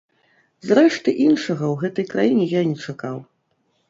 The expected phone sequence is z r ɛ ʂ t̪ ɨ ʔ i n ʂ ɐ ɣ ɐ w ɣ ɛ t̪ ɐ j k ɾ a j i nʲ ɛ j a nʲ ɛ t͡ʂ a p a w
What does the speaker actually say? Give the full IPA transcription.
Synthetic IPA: z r ɛ ʂ t̪ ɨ ʔ i n ʂ ɐ ɣ ɐ w ɣ ɛ t̪ ɐ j k ɾ a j i nʲ ɛ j a nʲ ɛ t͡ʂ a k a w